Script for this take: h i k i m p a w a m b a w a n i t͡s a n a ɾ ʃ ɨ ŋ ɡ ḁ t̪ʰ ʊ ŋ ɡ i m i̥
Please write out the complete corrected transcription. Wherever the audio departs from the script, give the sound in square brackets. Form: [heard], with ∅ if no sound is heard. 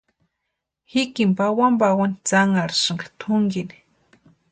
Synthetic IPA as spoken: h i k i m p a w a m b a w a n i t͡s a [ŋ] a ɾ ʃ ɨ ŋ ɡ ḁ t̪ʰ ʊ ŋ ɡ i [n] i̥